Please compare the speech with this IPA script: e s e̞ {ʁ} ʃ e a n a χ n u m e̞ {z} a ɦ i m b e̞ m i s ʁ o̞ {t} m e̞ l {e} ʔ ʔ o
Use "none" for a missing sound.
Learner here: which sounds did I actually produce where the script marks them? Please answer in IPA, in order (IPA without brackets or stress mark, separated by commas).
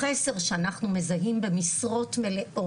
ʁ, z, t, e